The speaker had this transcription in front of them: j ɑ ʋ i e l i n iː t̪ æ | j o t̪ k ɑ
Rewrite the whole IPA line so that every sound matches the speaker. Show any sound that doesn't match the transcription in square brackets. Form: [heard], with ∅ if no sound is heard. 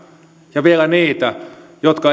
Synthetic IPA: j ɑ ʋ i e l [æ] n iː t̪ æ | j o t̪ k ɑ